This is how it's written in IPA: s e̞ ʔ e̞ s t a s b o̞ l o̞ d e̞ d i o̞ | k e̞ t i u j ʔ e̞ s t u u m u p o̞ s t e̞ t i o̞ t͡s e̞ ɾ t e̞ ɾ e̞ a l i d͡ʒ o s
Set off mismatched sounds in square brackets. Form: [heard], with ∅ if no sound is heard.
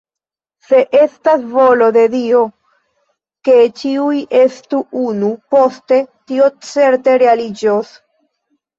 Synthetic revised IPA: s e̞ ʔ e̞ s t a s [v] o̞ l o̞ d e̞ d i o̞ | k e̞ [t͡ʃ] i u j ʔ e̞ s t u u [n] u p o̞ s t e̞ t i o̞ t͡s e̞ ɾ t e̞ ɾ e̞ a l i d͡ʒ o s